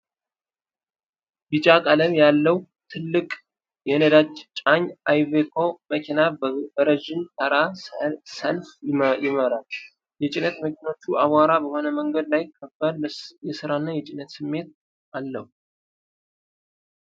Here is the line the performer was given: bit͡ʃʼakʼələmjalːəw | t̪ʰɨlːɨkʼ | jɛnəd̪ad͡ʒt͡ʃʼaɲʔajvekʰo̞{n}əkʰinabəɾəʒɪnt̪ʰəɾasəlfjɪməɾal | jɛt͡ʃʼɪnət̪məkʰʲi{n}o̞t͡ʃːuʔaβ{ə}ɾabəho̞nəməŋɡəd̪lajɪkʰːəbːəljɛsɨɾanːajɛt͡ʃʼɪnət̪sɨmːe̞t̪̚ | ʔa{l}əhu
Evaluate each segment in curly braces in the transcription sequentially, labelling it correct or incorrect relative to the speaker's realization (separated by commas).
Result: incorrect, correct, incorrect, incorrect